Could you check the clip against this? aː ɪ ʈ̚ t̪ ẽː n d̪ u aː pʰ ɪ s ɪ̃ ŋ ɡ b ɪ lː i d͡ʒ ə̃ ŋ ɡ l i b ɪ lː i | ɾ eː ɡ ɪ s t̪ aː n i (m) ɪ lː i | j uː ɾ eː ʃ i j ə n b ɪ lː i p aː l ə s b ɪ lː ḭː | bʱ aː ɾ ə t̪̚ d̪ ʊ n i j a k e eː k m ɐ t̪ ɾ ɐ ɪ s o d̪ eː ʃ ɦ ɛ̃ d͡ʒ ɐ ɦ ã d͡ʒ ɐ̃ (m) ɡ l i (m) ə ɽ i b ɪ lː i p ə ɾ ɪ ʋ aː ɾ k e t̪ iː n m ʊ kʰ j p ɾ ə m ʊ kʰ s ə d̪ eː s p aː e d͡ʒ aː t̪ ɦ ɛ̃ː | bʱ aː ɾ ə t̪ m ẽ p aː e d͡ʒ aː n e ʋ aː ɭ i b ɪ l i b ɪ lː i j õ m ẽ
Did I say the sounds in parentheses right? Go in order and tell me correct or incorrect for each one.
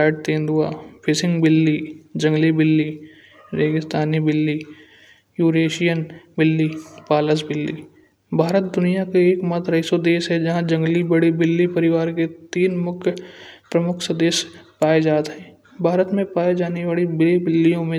incorrect: b, incorrect: ŋ, incorrect: b

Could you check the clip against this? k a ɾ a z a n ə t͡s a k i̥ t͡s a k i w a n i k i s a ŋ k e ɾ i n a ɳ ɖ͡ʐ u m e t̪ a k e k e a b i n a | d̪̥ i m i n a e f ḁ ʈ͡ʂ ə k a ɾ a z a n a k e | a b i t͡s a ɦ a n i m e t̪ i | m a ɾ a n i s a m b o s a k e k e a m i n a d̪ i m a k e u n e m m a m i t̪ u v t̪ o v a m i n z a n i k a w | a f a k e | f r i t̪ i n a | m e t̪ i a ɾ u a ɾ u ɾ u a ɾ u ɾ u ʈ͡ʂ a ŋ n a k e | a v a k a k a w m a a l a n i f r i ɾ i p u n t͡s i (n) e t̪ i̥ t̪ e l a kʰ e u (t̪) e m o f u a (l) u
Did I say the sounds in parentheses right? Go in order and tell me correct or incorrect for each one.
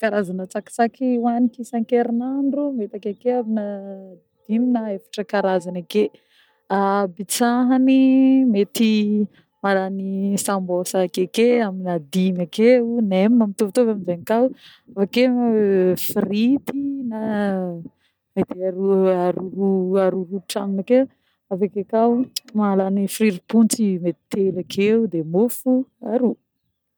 incorrect: m, incorrect: d̪, incorrect: ɾ

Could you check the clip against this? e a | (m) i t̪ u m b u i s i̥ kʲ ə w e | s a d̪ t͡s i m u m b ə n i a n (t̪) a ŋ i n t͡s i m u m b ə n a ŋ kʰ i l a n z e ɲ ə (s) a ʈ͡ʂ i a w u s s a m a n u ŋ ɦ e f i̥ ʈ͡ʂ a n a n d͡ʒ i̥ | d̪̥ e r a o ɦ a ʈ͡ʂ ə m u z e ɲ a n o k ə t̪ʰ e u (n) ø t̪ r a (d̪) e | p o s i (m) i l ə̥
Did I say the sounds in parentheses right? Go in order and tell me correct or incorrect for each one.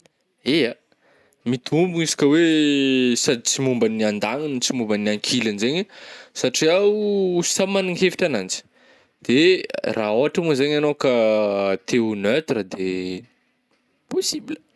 correct, incorrect: d̪, correct, correct, correct, incorrect: b

